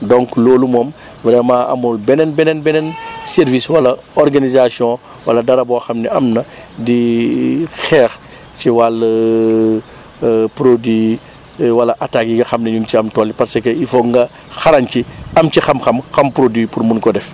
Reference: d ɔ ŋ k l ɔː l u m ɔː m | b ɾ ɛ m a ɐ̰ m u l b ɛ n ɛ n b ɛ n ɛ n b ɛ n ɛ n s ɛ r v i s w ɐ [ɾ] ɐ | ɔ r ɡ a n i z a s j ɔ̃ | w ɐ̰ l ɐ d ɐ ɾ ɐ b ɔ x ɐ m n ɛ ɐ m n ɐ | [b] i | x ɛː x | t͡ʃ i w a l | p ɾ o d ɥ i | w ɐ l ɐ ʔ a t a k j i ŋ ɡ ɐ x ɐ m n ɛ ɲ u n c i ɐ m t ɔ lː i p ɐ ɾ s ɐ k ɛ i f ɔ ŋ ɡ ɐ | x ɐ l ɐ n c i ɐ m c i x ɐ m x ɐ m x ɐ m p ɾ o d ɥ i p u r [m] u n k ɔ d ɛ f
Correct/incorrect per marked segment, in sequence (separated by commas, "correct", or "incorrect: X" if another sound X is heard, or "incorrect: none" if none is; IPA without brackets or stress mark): incorrect: l, incorrect: d, correct